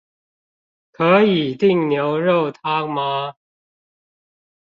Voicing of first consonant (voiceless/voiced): voiceless